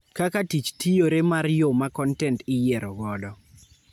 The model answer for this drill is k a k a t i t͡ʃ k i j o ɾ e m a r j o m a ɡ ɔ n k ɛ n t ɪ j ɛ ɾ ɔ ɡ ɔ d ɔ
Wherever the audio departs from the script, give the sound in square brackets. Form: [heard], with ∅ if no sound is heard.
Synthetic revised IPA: k a k a t i t͡ʃ [t] i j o ɾ e m a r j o m a [k] ɔ n [t] ɛ n t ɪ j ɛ ɾ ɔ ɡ ɔ d ɔ